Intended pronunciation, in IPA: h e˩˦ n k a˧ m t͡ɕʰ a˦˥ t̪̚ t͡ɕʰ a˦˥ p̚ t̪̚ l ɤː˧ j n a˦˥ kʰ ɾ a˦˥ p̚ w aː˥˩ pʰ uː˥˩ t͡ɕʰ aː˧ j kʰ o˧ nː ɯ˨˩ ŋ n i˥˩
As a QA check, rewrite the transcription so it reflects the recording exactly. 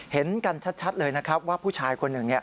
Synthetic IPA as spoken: h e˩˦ n k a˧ n t͡ɕʰ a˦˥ t̪̚ t͡ɕʰ a˦˥ t̪̚ l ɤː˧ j n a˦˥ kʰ ɾ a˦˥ p̚ w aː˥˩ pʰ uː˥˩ t͡ɕʰ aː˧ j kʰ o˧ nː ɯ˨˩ ŋ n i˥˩

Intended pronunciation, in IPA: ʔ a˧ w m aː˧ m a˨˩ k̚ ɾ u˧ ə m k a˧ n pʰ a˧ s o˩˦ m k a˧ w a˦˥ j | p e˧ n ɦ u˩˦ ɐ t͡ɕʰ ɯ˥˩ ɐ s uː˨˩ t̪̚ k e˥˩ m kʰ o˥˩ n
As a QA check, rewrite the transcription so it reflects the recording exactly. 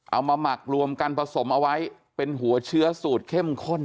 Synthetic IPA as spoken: ʔ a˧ w m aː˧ m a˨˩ k̚ ɾ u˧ ə m k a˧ n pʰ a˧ s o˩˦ m ʔ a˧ w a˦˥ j | p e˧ n ɦ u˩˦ ɐ t͡ɕʰ ɯ˦˥ ɐ s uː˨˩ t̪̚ kʰ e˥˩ m kʰ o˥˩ n

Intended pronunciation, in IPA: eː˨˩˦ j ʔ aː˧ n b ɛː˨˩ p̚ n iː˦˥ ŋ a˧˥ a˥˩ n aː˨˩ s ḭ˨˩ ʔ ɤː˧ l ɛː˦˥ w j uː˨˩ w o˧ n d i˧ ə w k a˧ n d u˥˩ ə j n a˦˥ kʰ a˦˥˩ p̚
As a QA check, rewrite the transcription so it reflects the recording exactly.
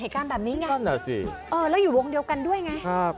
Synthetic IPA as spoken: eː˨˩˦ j k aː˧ n b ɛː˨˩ p̚ n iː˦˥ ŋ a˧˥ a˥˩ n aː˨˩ s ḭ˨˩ ʔ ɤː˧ l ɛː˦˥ w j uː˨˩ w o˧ ŋ d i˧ ə w k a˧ n d u˥˩ ə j ŋ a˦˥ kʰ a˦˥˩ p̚

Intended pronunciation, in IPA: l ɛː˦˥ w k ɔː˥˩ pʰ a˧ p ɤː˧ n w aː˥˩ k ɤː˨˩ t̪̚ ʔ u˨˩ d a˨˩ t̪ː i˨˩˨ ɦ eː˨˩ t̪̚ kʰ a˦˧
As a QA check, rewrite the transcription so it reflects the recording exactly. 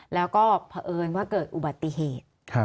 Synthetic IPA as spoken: l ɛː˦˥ w k ɔː˥˩ pʰ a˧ ʔ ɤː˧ n w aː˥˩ k ɤː˨˩ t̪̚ ʔ u˨˩ b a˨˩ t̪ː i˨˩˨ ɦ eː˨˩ t̪̚ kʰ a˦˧

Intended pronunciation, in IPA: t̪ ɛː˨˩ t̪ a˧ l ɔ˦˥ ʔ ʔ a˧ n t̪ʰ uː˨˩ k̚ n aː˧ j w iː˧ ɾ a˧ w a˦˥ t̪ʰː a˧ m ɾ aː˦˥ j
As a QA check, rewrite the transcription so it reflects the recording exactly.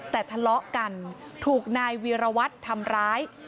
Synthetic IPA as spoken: t̪ ɛː˨˩ t̪ʰ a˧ l ɔ˦˥ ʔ k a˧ n t̪ʰ uː˨˩ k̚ n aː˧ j w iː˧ ɾ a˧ w a˦˥ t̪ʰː a˧ m ɾ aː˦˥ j

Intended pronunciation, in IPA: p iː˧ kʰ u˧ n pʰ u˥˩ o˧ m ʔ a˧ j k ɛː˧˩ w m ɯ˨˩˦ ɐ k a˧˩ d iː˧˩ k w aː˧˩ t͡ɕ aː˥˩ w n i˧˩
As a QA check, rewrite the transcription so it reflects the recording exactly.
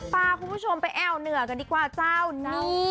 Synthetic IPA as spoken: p aː˧ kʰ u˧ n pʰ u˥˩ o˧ m p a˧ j ʔ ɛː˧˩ w n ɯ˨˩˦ ɐ k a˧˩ d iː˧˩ k w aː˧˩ t͡ɕ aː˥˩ w n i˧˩

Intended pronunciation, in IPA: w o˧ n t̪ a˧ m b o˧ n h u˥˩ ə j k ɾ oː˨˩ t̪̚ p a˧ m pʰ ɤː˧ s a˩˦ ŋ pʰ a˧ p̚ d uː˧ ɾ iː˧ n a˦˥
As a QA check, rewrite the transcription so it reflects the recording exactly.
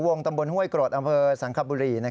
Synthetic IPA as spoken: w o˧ ŋ t̪ a˧ m b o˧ n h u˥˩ ə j k ɾ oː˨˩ t̪̚ ʔ a˧ m pʰ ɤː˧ s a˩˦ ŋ kʰ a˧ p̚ b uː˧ ɾ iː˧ n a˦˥

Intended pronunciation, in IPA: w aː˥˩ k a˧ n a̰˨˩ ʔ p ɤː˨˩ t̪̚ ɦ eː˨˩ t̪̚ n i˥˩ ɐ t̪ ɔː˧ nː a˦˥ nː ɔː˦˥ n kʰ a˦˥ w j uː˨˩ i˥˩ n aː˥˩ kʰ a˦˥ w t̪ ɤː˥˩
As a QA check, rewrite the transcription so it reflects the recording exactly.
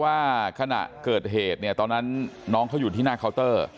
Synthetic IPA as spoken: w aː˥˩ kʰ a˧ n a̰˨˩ ʔ k ɤː˨˩ t̪̚ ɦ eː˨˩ t̪̚ n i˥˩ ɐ t̪ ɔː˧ nː a˦˥ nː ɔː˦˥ ŋ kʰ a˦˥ w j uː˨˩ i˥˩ n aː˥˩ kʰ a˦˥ w t̪ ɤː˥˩

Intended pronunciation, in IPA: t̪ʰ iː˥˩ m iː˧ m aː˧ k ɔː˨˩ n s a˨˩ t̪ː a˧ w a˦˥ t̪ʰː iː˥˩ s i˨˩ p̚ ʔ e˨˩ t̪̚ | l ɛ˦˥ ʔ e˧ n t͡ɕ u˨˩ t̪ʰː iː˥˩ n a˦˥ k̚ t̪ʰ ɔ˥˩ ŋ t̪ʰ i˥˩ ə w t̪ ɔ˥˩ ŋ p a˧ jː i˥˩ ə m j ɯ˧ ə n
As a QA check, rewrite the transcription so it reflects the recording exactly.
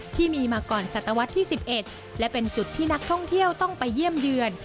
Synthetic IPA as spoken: t̪ʰ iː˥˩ m iː˧ m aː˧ k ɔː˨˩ n s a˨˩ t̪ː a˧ w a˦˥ t̪ʰː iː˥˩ s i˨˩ p̚ ʔ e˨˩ t̪̚ | l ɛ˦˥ p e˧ n t͡ɕ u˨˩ t̪ʰː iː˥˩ n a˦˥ k̚ t̪ʰ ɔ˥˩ ŋ t̪ʰ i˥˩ ə w t̪ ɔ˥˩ ŋ p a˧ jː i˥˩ ə m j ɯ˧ ə n

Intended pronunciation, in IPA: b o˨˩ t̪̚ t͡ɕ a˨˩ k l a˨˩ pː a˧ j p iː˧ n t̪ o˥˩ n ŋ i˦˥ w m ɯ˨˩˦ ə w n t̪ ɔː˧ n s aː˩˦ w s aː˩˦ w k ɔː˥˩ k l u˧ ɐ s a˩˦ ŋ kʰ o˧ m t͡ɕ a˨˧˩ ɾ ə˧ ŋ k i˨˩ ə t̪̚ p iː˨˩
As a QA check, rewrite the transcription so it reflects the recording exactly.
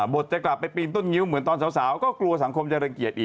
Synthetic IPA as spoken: b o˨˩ t̪̚ t͡ɕ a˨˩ k l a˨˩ pː a˧ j p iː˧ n t̪ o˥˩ n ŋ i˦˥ w m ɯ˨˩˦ ə n t̪ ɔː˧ n s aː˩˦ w s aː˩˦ w k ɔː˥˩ k l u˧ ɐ s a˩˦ ŋ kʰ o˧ m t͡ɕ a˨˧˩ ɾ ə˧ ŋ k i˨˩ ə t̪̚ ʔ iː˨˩

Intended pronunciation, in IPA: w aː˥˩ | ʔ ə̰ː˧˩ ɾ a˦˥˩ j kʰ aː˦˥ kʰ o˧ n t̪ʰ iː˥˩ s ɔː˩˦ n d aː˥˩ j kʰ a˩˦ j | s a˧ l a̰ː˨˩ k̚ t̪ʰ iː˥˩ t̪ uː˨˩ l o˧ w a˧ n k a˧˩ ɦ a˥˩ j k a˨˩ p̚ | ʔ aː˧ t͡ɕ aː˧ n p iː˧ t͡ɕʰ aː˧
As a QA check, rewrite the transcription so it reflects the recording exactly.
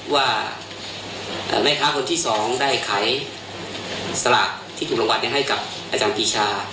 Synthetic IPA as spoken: w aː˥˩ | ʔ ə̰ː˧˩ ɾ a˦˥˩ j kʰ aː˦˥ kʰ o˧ n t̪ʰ iː˥˩ s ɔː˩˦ ŋ d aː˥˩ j kʰ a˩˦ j | s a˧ l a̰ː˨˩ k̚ t̪ʰ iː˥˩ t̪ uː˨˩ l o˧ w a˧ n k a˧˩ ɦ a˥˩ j k a˨˩ p̚ | ʔ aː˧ t͡ɕ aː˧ n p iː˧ t͡ɕʰ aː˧

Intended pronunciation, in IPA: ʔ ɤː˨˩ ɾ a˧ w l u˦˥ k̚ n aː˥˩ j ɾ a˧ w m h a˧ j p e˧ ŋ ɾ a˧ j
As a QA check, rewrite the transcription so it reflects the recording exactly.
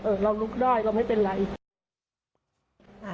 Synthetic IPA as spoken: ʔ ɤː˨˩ ɾ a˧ w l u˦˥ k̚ d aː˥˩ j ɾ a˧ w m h a˥˩ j p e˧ n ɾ a˩˦ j

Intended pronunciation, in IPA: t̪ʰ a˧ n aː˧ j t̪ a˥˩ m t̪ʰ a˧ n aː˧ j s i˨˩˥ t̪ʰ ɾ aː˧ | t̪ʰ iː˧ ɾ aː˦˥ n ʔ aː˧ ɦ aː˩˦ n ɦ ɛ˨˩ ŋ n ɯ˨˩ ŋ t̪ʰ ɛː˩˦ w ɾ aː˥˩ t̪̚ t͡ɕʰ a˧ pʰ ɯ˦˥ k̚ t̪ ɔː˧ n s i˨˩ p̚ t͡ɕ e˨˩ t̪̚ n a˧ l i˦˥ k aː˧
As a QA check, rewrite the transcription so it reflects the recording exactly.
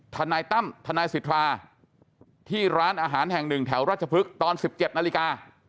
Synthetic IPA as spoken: t̪ʰ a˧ n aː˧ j t̪ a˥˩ m t̪ʰ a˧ n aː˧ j s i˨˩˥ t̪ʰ ɾ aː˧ | t̪ʰ iː˥˩ ɾ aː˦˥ n ʔ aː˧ ɦ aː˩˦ n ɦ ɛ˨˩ ŋ n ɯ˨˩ ŋ t̪ʰ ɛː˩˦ w ɾ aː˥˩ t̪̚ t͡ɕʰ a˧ pʰ ɯ˦˥ k̚ t̪ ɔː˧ n s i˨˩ p̚ t͡ɕ e˨˩ t̪̚ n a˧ l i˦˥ k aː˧

